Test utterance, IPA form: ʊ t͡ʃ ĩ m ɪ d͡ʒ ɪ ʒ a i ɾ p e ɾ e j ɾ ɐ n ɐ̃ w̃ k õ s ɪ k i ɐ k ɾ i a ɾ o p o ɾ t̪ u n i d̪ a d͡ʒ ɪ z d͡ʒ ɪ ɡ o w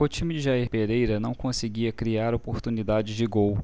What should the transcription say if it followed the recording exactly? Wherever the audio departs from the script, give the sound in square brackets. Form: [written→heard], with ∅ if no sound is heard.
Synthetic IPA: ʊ t͡ʃ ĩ m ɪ d͡ʒ ɪ ʒ a i ɾ p e ɾ e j ɾ ɐ n ɐ̃ w̃ k õ s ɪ [k→ɡ] i ɐ k ɾ i a ɾ o p o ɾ t̪ u n i d̪ a d͡ʒ ɪ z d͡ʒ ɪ ɡ o w